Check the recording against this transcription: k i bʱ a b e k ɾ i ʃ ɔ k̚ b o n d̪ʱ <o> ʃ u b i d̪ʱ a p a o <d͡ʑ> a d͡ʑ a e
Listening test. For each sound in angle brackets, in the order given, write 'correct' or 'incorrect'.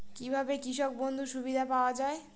incorrect, incorrect

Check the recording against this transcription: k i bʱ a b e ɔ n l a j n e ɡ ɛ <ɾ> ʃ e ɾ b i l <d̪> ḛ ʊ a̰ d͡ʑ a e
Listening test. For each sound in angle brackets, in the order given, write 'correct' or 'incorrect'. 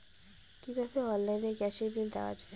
incorrect, correct

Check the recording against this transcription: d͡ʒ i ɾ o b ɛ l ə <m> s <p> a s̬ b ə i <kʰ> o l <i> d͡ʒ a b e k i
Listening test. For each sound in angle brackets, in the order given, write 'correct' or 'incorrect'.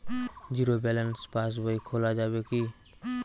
incorrect, correct, correct, incorrect

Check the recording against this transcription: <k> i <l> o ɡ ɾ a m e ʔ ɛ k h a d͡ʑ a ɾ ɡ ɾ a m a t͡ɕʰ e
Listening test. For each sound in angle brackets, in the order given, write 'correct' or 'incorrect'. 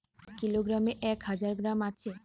correct, correct

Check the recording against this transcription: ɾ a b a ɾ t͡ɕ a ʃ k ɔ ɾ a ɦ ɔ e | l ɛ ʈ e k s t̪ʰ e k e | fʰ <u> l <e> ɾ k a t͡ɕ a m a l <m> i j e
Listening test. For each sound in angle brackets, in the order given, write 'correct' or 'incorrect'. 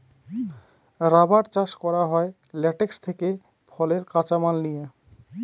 incorrect, correct, incorrect

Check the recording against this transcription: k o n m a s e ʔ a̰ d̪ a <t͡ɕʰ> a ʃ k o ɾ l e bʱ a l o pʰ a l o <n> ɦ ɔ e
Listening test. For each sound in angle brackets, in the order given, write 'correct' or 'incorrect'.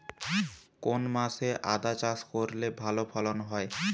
incorrect, correct

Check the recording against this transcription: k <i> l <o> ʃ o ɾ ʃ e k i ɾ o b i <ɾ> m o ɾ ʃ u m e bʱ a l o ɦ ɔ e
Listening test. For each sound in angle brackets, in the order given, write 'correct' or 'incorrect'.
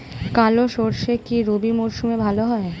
incorrect, correct, incorrect

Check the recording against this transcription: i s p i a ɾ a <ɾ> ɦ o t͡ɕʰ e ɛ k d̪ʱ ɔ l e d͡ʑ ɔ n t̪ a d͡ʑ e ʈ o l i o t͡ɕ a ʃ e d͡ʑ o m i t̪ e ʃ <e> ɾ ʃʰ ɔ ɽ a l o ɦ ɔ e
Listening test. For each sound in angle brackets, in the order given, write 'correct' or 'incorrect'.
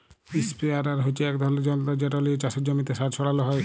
correct, incorrect

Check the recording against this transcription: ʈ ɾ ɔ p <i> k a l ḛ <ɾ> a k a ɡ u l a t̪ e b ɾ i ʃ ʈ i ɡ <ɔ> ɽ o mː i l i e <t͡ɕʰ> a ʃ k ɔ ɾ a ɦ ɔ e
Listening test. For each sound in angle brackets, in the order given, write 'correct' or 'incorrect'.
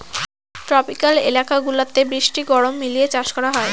correct, incorrect, correct, incorrect

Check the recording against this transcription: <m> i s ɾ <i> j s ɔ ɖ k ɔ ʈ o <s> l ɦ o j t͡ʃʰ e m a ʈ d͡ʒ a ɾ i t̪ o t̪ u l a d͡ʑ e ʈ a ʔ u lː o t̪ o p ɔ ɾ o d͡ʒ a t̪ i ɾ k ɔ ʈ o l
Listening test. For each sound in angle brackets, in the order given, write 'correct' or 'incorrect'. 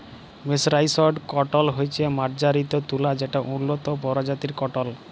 correct, incorrect, incorrect

